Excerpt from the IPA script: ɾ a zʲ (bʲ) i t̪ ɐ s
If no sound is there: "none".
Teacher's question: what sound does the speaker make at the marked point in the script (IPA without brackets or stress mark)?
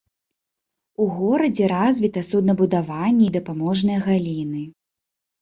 vʲ